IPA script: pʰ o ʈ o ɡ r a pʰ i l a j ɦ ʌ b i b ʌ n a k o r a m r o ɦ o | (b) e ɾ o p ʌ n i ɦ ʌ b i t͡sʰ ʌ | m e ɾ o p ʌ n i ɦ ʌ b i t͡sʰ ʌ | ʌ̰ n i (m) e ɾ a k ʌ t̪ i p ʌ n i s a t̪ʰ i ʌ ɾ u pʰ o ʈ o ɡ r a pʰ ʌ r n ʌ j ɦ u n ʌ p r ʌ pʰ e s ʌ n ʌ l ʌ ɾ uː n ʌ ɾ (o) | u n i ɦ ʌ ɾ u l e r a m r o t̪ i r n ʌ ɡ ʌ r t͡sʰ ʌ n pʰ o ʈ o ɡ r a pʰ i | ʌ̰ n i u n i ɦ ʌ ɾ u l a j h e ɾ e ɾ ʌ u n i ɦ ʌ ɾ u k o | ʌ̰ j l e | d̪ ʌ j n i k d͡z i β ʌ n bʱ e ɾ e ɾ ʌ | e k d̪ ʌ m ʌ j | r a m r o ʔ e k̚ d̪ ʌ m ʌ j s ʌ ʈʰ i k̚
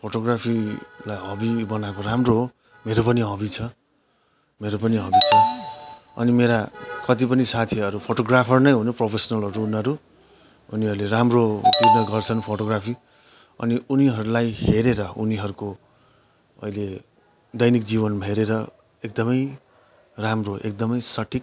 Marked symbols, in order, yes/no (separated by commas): no, yes, no